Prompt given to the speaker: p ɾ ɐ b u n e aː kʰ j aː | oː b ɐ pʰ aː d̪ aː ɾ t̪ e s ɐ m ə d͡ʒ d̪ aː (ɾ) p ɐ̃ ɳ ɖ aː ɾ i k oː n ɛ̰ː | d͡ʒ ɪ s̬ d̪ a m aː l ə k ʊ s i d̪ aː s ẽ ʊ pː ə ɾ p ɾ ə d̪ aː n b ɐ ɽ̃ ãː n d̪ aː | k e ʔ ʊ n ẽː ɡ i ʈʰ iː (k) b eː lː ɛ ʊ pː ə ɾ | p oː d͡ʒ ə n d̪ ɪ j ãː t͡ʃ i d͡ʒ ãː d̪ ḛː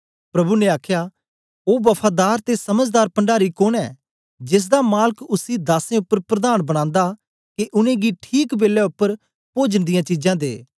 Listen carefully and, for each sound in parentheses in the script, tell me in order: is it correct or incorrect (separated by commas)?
correct, correct